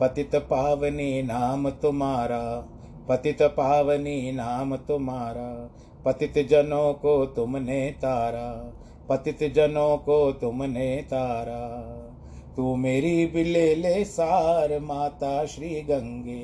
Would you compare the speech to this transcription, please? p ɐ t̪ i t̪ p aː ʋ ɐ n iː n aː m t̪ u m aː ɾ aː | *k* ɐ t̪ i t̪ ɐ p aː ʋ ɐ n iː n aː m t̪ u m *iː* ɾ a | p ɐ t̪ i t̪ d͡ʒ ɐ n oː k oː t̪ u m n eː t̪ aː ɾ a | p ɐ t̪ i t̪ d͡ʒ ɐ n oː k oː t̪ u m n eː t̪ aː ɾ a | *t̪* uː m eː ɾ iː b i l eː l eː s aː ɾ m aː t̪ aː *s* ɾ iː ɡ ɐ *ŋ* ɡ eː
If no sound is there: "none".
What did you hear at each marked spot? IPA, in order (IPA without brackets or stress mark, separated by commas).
p, aː, t̪, ʃ, ŋ